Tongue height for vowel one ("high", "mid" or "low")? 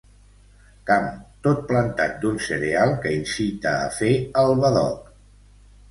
low